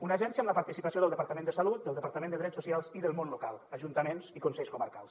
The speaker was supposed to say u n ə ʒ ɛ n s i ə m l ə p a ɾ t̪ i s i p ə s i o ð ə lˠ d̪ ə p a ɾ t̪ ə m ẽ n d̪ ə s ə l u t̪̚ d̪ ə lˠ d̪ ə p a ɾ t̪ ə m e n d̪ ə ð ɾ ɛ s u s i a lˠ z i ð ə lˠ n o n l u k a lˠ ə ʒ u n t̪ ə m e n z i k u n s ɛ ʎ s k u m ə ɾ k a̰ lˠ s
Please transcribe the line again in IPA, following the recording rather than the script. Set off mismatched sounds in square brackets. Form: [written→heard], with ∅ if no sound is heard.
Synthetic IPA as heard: u n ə ʒ ɛ n s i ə m l ə p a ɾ t̪ i s i p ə s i o ð ə lˠ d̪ ə p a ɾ t̪ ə m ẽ n d̪ ə s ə l u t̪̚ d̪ ə lˠ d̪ ə p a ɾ t̪ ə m e n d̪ ə ð ɾ ɛ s u s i a lˠ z i ð ə lˠ [n→m] o n l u k a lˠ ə ʒ u n t̪ ə m e n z i k u n s ɛ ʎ s k u m ə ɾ k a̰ lˠ s